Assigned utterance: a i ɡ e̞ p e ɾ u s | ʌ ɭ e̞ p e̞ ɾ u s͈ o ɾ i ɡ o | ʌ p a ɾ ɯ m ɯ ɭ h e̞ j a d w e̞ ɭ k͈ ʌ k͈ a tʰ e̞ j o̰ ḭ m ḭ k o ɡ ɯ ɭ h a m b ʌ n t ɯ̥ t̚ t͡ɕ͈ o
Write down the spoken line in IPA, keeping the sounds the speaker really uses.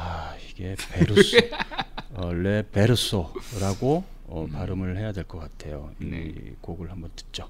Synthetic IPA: a i ɡ e̞ p e ɾ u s | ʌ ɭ e̞ p e̞ ɾ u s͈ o ɾ a ɡ o | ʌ p a ɾ ɯ m ɯ ɭ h e̞ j a d w e̞ ɭ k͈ ʌ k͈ a tʰ e̞ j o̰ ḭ m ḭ k o ɡ ɯ ɭ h a m b ʌ n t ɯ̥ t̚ t͡ɕ͈ o